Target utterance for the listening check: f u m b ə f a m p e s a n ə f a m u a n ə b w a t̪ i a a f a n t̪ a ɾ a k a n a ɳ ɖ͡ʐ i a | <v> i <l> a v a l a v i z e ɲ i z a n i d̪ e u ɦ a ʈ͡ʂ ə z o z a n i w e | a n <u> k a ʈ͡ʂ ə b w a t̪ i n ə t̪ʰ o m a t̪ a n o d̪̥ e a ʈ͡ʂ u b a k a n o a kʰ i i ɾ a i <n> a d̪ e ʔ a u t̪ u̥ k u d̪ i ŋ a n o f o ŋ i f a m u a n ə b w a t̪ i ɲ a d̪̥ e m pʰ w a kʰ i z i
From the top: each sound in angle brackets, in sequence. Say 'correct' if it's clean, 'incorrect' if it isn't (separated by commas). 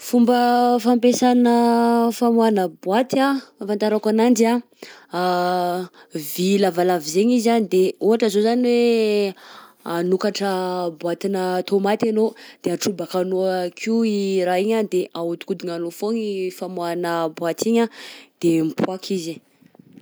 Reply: correct, correct, correct, incorrect